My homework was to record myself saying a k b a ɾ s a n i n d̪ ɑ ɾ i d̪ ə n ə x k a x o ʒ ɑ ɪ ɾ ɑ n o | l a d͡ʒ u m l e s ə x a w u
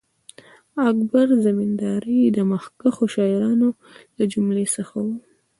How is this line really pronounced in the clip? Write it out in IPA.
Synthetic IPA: a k b a ɾ z a m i n d̪ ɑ ɾ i d̪ ə m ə x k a x o ʃ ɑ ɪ ɾ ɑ n o | l a d͡ʒ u m l e s ə x a w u